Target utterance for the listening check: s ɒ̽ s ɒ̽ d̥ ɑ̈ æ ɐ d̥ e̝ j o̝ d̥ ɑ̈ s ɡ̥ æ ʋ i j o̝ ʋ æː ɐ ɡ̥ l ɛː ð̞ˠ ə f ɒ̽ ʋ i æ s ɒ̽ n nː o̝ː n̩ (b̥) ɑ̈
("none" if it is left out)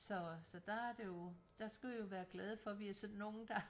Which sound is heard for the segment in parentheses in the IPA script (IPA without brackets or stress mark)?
d̥